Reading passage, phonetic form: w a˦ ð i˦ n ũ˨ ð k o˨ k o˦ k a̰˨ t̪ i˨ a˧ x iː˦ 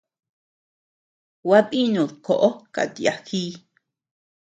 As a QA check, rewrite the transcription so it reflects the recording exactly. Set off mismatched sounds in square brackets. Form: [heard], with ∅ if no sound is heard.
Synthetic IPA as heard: w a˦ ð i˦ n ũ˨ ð k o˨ [ʔ] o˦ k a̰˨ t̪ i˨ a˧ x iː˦